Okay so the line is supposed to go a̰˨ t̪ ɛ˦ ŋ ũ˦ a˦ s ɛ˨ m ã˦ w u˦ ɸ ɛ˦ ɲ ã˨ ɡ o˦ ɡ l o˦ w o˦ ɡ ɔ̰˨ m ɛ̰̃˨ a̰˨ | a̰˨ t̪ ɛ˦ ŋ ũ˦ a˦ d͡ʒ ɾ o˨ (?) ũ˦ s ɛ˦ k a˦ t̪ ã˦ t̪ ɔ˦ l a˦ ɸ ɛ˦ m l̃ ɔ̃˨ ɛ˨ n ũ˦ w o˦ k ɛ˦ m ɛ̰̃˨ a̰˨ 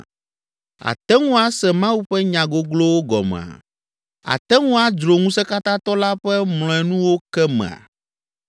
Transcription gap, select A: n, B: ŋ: B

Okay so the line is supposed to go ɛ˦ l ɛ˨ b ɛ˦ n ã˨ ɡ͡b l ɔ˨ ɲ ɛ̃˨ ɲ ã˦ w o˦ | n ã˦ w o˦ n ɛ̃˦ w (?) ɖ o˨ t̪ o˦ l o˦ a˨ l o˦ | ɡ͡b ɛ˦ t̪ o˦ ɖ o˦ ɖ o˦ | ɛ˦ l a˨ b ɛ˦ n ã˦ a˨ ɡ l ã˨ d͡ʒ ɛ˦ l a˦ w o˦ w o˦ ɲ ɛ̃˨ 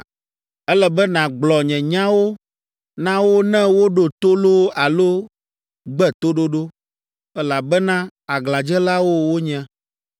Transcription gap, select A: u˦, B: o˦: B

